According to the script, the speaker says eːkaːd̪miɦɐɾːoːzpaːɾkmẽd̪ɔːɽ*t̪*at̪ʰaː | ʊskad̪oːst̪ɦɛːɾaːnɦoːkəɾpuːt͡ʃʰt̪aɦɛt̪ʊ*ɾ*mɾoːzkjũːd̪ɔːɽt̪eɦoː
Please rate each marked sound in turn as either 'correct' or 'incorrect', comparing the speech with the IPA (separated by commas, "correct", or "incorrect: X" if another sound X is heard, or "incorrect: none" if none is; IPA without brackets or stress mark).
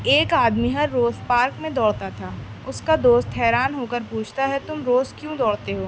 correct, incorrect: none